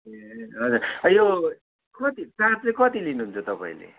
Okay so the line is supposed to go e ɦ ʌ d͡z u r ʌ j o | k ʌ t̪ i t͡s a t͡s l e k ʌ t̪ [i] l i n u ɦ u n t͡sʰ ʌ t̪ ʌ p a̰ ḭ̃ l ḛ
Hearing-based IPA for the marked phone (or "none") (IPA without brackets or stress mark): i